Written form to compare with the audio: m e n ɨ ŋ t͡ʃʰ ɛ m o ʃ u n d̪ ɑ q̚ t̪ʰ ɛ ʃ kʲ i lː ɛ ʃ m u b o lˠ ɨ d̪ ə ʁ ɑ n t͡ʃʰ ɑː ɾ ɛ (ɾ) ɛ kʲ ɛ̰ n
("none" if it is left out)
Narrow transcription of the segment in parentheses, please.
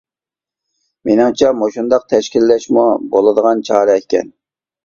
none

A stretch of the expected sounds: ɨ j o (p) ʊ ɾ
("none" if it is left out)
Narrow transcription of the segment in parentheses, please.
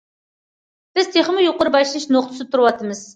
q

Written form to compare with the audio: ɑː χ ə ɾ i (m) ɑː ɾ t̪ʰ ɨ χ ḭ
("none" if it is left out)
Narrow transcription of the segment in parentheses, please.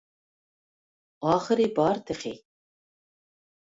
b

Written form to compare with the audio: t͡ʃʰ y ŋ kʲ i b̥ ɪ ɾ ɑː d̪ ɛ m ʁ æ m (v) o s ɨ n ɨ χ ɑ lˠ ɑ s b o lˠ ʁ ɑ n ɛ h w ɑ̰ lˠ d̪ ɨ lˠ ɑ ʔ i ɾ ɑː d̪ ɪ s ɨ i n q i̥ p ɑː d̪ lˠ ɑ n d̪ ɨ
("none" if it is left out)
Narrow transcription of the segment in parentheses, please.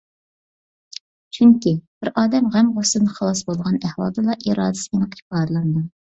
ʁ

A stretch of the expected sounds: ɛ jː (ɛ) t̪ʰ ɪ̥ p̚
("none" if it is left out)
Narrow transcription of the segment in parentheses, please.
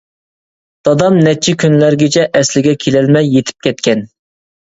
e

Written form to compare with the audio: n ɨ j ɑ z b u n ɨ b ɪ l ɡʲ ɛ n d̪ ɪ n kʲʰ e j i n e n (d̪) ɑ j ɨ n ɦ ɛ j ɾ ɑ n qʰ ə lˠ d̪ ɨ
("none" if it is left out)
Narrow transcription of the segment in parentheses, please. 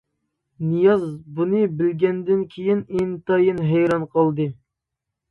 t̪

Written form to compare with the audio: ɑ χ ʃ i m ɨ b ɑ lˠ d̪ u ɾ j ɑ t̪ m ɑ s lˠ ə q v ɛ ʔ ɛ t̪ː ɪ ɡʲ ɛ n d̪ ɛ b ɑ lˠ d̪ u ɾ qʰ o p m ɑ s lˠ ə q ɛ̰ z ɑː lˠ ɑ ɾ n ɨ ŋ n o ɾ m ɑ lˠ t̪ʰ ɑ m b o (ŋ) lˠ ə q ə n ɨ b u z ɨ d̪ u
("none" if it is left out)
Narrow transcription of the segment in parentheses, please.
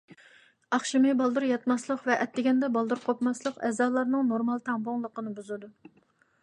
ŋ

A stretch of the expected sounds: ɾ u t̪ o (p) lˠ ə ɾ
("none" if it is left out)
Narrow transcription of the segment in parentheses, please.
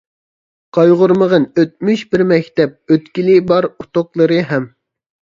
q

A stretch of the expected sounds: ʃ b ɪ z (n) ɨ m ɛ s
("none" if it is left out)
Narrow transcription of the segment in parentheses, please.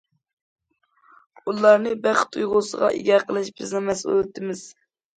n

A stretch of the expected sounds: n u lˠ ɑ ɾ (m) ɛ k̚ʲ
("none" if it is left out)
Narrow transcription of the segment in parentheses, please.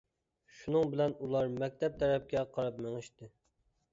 m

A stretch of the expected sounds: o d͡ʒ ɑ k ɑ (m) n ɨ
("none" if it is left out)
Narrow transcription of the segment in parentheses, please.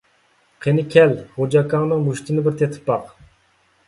ŋ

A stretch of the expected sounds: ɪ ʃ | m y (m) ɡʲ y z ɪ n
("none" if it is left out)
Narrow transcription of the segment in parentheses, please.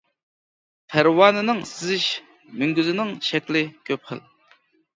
ŋ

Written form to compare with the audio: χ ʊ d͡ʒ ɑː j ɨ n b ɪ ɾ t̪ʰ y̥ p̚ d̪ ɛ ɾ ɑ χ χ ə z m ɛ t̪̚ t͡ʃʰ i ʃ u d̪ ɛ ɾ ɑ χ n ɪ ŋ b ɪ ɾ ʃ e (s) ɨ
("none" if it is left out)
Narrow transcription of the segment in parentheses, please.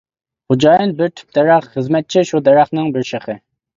χ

